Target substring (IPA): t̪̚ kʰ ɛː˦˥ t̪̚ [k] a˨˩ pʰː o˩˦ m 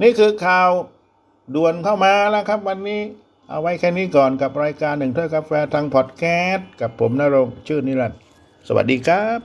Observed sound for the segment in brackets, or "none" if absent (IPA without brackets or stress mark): k